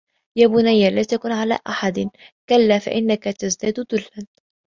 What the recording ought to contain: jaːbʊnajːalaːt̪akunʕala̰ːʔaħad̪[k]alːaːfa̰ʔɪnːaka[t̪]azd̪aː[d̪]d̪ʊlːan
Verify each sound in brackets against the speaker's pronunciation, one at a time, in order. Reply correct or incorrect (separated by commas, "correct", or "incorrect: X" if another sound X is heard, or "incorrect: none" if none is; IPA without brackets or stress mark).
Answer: correct, correct, correct